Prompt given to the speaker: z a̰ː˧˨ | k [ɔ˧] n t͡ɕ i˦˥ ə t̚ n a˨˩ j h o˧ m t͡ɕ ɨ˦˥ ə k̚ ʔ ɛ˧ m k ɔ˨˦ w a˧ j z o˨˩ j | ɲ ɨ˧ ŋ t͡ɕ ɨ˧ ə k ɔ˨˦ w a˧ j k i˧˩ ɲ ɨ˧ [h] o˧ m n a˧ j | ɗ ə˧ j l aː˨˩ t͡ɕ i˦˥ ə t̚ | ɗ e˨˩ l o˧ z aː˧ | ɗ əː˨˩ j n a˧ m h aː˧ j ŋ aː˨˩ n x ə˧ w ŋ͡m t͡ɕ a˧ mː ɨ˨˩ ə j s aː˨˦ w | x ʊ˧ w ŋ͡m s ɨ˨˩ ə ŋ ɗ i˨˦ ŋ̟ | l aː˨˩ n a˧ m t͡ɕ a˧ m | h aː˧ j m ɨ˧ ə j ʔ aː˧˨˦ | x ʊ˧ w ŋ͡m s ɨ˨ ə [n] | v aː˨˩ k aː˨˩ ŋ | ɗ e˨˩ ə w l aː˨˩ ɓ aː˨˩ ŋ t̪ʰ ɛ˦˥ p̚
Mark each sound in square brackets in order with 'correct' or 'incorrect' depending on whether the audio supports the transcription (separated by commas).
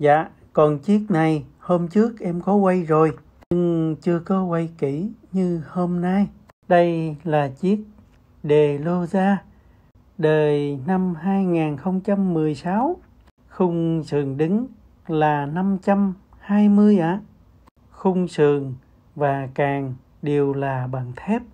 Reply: incorrect, correct, incorrect